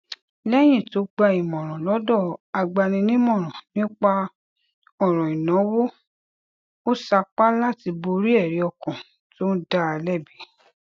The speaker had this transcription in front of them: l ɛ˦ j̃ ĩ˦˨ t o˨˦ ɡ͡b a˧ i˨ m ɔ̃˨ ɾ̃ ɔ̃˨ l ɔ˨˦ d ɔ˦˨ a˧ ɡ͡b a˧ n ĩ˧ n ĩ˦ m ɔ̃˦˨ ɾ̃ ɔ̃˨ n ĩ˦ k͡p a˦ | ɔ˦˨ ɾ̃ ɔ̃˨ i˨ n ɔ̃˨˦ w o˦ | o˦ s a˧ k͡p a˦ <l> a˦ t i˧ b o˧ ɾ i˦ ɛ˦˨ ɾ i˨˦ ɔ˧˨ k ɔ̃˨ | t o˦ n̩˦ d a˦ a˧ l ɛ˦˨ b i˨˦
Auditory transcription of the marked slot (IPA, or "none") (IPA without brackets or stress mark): l